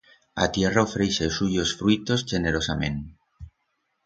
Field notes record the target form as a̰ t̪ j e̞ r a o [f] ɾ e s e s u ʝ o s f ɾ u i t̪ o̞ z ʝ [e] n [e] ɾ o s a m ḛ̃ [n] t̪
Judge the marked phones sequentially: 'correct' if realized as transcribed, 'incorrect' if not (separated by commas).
correct, correct, correct, correct